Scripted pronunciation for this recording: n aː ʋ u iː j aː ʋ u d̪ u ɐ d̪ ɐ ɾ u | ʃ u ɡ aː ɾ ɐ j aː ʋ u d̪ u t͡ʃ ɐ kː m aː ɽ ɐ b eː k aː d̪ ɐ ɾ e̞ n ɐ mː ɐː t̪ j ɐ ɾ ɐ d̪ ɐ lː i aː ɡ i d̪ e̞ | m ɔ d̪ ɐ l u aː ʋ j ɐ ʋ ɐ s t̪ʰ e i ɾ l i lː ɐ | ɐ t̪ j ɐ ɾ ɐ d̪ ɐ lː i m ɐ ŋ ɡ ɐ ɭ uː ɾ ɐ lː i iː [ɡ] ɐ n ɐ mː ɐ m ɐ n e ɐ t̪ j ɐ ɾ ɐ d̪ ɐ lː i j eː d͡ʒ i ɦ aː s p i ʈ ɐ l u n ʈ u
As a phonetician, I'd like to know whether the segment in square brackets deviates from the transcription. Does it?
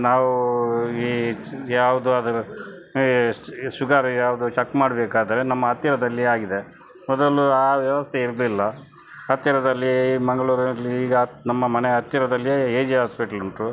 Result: no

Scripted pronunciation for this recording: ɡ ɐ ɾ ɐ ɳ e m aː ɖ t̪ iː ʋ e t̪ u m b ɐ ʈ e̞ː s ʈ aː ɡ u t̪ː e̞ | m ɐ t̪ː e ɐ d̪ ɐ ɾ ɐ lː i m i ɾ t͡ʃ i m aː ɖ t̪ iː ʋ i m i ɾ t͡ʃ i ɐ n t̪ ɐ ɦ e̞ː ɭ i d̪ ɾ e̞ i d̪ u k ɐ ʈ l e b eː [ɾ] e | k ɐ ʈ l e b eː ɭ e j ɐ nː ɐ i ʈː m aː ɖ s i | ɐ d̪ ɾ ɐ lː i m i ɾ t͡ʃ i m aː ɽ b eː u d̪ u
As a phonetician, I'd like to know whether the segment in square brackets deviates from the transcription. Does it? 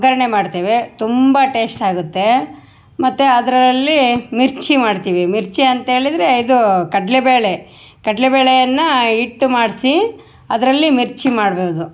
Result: yes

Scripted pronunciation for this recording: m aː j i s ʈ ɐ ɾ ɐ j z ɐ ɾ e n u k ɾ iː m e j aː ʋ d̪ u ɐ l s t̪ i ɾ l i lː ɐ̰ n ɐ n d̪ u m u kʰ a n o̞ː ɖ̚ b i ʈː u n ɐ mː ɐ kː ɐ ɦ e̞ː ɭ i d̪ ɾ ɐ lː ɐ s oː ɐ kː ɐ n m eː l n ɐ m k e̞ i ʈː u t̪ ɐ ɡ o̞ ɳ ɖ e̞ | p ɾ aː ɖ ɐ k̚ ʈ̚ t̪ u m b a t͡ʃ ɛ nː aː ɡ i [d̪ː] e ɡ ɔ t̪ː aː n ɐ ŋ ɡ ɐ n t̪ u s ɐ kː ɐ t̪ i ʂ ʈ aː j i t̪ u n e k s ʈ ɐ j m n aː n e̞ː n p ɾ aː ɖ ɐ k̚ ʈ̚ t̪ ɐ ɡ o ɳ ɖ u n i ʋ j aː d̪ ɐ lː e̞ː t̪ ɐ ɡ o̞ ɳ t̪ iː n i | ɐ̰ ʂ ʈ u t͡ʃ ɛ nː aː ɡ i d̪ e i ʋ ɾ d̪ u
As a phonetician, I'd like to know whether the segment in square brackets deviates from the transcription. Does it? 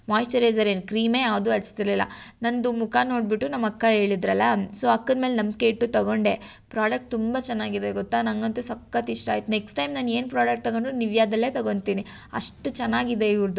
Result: yes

